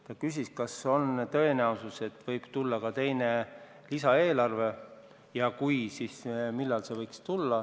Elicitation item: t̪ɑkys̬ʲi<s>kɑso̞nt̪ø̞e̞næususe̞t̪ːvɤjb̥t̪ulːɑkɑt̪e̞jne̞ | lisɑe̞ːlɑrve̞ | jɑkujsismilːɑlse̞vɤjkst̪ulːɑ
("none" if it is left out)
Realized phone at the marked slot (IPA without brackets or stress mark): s